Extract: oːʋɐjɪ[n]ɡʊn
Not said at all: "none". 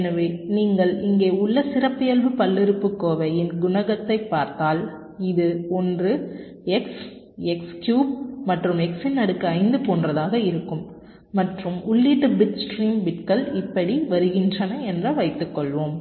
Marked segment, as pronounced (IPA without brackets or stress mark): n